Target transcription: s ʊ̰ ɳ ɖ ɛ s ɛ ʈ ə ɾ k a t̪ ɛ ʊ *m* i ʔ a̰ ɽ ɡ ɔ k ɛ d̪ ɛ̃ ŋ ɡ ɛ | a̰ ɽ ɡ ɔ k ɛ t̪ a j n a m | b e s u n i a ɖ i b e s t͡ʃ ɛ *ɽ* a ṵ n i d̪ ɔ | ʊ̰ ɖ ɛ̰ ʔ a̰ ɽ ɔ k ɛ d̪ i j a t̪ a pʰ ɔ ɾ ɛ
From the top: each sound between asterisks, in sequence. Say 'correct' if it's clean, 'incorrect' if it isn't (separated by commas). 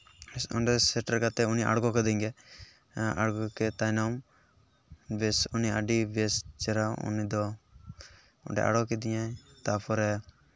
incorrect, incorrect